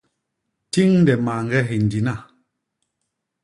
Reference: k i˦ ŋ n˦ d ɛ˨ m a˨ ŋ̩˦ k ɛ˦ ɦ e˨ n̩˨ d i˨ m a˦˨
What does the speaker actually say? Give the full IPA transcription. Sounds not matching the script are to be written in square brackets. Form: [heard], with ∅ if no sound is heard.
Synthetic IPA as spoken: [t] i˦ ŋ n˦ d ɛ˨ m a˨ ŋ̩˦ [ɡ] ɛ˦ ɦ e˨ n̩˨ d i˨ [n] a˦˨